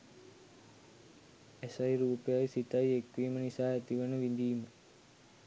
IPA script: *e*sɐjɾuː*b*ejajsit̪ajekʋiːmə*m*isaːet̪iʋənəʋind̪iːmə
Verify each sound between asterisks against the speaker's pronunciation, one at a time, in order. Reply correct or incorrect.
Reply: correct, incorrect, incorrect

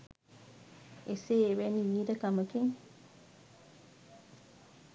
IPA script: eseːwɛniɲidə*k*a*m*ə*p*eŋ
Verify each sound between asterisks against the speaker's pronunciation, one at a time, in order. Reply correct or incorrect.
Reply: correct, correct, incorrect

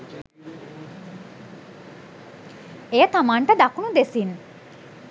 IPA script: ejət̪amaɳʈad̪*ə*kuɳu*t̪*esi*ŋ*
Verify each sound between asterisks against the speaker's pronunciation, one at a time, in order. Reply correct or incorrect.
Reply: incorrect, incorrect, incorrect

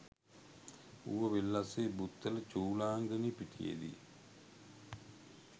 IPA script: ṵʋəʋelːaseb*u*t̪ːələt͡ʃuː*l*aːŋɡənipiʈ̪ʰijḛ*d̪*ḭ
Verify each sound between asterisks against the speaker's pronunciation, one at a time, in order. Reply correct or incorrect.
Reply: correct, correct, correct

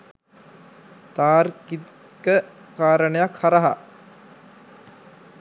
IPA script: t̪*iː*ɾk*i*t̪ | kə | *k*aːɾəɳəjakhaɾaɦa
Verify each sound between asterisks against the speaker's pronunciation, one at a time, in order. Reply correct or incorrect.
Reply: incorrect, correct, correct

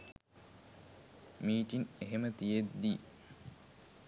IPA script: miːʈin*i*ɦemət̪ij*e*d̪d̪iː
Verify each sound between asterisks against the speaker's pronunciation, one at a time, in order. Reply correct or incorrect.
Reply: incorrect, correct

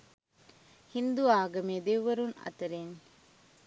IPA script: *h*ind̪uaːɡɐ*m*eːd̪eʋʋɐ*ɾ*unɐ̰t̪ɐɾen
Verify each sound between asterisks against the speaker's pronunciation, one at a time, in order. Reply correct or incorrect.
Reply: correct, correct, correct

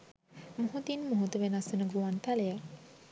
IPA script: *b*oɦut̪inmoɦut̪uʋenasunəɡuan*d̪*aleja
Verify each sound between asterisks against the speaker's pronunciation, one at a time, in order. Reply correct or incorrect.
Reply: incorrect, incorrect

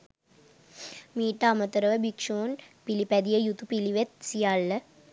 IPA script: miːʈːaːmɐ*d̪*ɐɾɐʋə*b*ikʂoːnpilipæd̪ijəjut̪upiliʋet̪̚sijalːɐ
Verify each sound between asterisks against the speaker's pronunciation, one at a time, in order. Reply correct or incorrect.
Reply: incorrect, correct

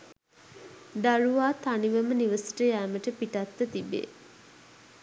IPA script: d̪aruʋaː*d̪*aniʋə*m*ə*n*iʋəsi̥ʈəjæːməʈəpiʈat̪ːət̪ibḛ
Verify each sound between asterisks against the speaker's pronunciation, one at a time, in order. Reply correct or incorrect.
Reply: incorrect, correct, correct

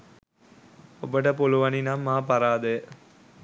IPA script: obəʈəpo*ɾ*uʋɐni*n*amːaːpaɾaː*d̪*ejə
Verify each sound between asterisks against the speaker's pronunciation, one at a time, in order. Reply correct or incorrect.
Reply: incorrect, correct, correct

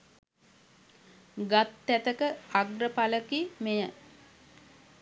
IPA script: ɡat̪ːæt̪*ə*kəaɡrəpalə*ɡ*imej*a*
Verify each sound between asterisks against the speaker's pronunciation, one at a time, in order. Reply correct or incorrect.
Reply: correct, incorrect, incorrect

